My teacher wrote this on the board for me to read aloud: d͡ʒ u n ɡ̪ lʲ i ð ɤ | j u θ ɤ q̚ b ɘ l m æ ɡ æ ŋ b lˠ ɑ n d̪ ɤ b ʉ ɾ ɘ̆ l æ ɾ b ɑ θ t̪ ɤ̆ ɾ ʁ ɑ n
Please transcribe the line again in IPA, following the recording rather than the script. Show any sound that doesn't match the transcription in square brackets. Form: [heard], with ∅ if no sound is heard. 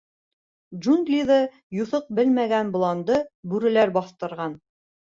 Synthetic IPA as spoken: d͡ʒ u n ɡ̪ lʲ i ð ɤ | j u θ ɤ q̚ b ɘ l m æ ɡ æ [n] b lˠ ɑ n d̪ ɤ b ʉ ɾ ɘ̆ l æ ɾ b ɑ θ t̪ ɤ̆ ɾ ʁ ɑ n